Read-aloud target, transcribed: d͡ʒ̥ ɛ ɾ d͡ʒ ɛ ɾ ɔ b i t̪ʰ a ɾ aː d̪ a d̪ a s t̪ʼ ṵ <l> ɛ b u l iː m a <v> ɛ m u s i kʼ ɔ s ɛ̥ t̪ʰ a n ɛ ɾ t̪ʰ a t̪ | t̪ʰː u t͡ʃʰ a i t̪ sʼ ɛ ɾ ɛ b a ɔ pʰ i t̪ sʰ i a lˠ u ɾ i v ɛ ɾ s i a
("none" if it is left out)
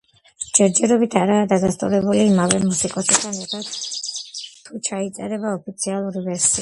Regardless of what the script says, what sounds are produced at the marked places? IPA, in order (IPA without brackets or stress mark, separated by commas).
ɾ, v